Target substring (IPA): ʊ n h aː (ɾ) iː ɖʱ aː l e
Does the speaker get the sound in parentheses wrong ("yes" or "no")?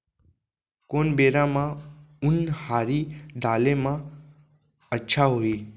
no